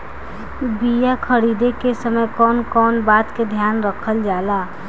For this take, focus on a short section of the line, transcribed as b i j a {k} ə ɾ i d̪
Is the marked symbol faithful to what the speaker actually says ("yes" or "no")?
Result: no